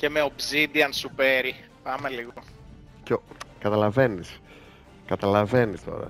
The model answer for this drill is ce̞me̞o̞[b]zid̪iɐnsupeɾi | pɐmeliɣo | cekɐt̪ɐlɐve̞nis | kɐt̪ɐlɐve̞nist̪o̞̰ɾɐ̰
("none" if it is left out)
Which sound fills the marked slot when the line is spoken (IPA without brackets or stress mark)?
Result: b